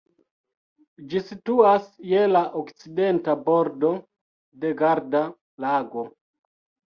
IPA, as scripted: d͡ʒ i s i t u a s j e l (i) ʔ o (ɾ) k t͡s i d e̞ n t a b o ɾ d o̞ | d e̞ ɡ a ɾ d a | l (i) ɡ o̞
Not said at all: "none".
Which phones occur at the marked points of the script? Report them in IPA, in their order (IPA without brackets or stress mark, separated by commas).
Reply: a, none, a